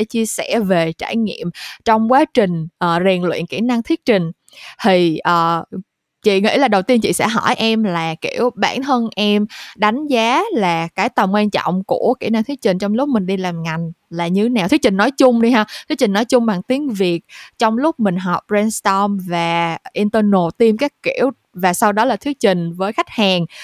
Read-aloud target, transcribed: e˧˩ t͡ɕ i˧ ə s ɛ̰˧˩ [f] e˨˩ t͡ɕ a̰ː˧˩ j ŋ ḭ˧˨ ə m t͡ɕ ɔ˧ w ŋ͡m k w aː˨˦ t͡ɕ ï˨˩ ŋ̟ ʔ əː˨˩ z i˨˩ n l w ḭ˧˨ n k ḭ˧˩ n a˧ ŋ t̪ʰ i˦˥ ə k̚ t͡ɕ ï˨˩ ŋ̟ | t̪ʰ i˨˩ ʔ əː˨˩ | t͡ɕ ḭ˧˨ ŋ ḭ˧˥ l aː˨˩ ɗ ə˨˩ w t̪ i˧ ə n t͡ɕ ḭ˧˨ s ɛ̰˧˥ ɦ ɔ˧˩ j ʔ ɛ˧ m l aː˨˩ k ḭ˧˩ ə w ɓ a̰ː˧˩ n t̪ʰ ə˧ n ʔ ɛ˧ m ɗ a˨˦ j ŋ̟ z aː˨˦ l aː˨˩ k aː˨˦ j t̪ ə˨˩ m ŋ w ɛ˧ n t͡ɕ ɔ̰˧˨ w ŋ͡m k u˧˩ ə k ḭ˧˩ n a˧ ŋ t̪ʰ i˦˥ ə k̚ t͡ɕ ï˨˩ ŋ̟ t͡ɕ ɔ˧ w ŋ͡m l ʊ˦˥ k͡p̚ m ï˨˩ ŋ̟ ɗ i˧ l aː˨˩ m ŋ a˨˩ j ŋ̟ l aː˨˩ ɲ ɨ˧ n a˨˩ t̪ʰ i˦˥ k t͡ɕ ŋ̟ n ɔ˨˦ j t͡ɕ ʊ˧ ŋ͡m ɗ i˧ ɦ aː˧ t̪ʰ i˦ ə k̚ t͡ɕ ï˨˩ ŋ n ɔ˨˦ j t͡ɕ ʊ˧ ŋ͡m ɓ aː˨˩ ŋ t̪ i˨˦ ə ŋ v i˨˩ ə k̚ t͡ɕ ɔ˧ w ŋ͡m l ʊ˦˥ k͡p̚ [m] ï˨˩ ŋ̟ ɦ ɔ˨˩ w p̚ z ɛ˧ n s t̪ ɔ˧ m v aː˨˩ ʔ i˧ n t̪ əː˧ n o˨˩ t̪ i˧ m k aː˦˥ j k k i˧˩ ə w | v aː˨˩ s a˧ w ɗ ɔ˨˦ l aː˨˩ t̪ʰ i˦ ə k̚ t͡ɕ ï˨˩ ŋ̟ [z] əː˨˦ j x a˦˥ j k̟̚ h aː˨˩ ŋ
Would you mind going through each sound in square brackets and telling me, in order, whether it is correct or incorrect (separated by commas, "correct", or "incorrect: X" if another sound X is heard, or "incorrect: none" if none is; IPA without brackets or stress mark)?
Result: incorrect: v, correct, incorrect: v